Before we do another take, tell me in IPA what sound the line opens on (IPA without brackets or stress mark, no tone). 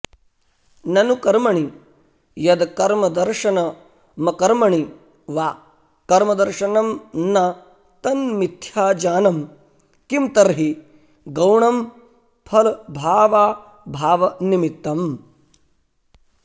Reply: n